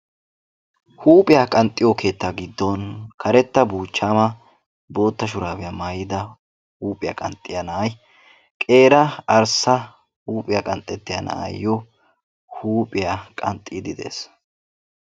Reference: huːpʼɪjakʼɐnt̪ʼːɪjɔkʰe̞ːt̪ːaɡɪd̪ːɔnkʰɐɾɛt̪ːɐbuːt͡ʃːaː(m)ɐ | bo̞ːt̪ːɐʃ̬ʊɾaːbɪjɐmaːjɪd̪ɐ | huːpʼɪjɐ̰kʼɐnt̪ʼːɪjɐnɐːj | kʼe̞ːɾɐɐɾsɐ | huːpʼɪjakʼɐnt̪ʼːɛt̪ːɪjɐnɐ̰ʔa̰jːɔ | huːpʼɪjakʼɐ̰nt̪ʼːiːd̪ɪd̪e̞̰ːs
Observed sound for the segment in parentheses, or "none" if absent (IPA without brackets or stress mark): m